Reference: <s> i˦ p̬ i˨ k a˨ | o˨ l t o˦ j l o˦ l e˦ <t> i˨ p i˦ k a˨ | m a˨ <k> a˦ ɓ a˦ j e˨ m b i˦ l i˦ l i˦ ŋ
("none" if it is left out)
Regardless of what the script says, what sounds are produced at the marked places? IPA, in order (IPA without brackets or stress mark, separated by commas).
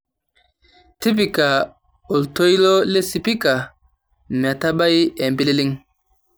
t, s, t